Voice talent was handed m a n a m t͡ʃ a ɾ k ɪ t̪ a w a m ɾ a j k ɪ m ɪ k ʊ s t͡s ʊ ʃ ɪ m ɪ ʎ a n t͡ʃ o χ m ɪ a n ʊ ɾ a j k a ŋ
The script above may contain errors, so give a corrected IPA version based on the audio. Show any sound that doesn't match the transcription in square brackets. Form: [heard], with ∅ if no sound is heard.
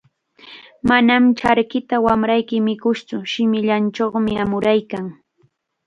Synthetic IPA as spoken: m a n a m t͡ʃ a ɾ k ɪ t̪ a w a m ɾ a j k ɪ m ɪ k ʊ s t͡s ʊ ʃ ɪ m ɪ ʎ a n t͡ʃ o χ m ɪ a [m] ʊ ɾ a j k a ŋ